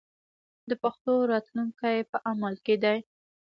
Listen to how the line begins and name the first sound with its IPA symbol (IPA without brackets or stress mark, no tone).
d̪